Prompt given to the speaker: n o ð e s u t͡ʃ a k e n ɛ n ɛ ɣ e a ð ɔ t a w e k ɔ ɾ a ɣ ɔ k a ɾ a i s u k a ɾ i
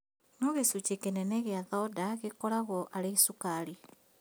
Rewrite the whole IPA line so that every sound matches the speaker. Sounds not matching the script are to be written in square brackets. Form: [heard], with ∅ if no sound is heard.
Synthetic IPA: n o [ɣ] e s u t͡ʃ [e] k e n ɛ n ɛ ɣ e a ð ɔ [d] a [ɣ] e k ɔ ɾ a ɣ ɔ [ʔ] a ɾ [e] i s u k a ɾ i